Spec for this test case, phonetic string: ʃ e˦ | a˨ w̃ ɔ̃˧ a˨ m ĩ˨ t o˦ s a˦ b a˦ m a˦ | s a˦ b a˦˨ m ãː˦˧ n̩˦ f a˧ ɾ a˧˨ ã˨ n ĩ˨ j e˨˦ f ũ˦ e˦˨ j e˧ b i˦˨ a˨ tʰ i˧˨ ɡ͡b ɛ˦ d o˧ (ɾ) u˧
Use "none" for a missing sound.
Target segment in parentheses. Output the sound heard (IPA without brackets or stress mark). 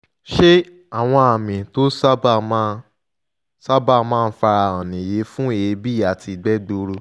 ɾ